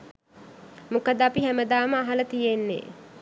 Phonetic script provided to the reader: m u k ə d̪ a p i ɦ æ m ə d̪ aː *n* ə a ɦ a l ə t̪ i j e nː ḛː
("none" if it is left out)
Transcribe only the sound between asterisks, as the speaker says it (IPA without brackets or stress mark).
m